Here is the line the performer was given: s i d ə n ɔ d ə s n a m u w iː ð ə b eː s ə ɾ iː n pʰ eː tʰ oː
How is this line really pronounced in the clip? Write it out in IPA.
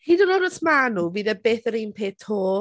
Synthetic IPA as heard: h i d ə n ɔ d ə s m a n u v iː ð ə b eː θ ə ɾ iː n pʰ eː tʰ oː